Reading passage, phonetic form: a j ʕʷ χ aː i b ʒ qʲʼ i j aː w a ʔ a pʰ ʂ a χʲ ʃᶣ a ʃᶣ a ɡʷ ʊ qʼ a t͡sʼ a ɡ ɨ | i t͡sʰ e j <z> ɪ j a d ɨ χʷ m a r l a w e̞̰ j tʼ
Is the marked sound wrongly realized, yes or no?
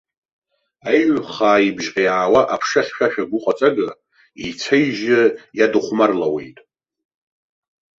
yes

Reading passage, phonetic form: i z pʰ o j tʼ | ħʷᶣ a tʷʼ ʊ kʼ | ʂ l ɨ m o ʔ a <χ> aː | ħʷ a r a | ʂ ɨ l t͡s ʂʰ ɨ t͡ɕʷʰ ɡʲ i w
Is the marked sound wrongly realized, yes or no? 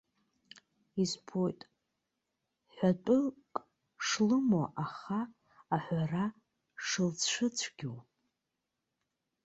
no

